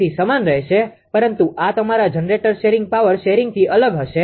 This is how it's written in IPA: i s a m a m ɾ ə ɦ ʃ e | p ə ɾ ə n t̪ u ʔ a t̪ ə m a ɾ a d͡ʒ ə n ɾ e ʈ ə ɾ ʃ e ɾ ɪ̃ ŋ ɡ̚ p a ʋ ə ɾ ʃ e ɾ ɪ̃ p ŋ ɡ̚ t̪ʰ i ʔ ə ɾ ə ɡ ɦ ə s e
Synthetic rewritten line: i s ə m a n ɾ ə ɦ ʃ e | p ə ɾ ə n t̪ u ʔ a t̪ ə m a ɾ a d͡ʒ ə n ɾ e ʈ ə ɾ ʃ e ɾ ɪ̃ ŋ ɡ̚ p a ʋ ə ɾ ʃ e ɾ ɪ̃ ŋ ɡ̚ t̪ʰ i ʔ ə l ə ɡ ɦ ə ʃ e